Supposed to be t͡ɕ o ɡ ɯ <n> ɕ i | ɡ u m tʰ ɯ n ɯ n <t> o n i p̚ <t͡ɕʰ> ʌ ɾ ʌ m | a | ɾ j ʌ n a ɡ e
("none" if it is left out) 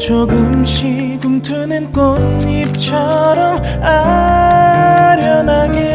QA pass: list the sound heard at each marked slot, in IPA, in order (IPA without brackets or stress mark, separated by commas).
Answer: m, k, t͡ɕʰ